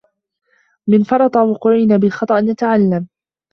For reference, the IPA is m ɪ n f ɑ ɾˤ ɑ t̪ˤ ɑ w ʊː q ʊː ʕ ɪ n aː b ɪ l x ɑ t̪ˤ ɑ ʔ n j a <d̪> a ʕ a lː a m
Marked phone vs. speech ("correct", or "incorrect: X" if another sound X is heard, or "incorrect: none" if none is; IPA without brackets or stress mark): incorrect: t̪